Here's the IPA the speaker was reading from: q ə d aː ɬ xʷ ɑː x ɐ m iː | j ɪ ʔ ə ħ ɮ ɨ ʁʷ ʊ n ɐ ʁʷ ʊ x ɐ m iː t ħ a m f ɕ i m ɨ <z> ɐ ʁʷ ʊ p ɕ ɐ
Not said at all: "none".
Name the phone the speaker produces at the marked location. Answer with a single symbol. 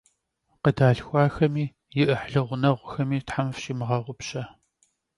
ʁ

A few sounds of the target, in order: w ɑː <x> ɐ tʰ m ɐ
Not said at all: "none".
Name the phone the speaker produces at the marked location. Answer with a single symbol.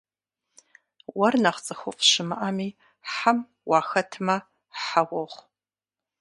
x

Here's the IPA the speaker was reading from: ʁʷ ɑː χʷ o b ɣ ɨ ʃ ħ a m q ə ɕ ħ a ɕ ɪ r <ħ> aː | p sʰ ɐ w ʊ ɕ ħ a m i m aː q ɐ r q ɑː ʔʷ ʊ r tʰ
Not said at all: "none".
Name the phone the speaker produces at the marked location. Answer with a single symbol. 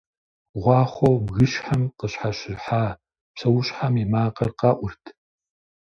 ħ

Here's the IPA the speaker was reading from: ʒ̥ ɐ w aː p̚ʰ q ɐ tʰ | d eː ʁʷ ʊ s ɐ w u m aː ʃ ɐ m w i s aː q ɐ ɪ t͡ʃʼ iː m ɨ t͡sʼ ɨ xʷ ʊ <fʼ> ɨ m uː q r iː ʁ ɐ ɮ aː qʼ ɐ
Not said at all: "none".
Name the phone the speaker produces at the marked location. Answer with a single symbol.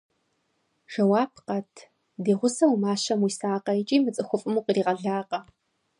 fʼ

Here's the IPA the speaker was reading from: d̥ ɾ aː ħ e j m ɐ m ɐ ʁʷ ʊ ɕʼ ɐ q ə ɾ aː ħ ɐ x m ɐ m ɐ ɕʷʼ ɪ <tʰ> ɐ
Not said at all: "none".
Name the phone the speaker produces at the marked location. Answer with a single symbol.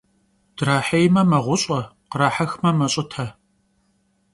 tʰ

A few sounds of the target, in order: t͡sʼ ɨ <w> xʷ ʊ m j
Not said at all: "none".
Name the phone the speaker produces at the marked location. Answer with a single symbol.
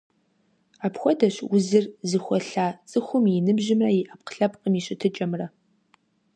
none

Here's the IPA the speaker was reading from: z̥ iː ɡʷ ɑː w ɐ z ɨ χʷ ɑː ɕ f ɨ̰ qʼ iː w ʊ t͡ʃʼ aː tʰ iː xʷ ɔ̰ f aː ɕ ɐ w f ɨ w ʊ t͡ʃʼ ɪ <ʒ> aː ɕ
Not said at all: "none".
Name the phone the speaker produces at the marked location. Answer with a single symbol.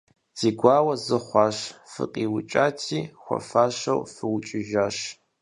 ʒ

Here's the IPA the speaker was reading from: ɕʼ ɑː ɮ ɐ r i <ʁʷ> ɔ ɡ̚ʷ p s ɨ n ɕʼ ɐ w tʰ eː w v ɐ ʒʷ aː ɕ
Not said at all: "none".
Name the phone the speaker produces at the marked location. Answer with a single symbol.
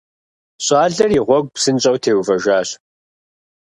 ʁʷ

